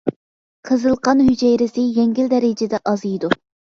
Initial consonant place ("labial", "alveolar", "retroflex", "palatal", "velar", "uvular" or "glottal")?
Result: uvular